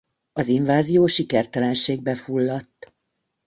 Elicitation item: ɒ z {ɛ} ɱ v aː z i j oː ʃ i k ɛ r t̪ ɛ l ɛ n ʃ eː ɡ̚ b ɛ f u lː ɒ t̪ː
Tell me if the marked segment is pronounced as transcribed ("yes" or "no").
no